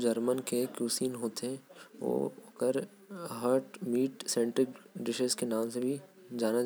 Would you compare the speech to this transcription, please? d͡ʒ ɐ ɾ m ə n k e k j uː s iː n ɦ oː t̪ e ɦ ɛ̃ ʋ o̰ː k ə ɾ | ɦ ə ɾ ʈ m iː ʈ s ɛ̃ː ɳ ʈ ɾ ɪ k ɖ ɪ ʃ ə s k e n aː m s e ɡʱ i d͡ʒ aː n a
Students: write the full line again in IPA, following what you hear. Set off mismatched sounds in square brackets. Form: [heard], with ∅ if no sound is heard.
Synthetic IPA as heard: d͡ʒ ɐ ɾ m ə n k e k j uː s iː n ɦ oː t̪ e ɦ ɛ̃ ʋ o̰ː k ə ɾ | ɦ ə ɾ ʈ m iː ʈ s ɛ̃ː ɳ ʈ ɾ ɪ k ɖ ɪ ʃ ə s k e n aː m s e [bʱ] i d͡ʒ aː n a